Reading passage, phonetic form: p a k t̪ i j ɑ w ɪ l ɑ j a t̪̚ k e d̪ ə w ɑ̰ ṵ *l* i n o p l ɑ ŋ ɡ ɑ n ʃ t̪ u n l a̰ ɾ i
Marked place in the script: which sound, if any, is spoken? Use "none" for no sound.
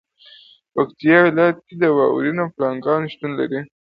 ɾ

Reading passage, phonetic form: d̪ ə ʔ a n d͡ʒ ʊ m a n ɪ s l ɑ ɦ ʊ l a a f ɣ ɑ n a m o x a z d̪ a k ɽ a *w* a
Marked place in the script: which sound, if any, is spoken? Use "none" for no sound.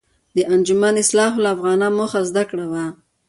w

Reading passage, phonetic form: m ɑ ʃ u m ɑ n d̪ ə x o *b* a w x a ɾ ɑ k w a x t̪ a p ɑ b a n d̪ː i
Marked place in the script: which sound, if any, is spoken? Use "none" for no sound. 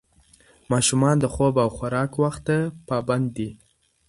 b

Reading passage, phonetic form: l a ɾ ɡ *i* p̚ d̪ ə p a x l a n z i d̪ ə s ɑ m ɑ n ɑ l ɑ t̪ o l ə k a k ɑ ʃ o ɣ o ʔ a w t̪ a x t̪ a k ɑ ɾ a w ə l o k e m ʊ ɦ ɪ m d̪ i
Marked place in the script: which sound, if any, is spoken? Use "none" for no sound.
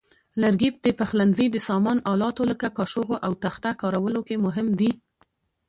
i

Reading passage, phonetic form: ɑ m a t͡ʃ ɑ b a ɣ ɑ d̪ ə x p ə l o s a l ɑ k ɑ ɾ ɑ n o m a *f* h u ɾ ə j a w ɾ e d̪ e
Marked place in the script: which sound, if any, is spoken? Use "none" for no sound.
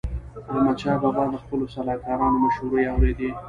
ʃ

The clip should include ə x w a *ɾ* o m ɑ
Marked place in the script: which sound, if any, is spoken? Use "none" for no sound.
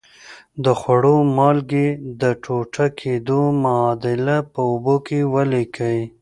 ɽ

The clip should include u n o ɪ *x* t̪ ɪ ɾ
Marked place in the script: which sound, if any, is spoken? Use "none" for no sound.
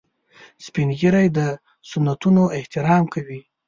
h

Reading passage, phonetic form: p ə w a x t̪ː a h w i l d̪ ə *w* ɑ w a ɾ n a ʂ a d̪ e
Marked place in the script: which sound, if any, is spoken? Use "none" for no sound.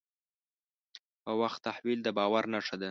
b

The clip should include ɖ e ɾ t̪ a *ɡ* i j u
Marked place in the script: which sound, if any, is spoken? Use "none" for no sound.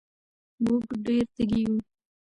ɡ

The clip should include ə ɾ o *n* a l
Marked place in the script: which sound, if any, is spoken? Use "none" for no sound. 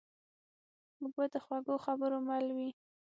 m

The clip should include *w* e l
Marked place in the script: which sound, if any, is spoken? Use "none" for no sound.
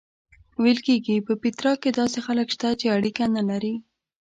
w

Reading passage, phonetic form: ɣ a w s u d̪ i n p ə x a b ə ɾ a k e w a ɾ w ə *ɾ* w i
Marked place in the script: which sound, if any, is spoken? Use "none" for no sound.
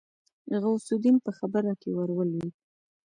l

